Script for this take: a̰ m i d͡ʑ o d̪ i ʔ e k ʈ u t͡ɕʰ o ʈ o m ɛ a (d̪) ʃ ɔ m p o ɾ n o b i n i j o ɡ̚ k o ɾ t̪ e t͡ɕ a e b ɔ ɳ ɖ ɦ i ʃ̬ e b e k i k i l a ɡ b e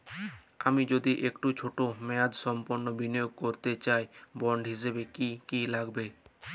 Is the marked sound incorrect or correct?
correct